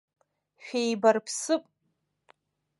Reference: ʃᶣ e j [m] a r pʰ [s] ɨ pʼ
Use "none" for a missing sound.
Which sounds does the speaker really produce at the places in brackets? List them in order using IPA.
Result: b, s

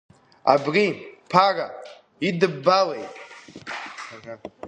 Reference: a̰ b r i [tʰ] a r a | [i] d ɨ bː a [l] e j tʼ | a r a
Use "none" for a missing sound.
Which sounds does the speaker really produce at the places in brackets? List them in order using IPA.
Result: pʰ, i, l

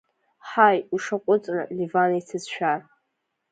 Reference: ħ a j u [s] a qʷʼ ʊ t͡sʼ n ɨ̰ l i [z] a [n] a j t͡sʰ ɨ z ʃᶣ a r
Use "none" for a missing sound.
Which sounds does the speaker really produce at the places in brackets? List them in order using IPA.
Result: ʂ, v, n

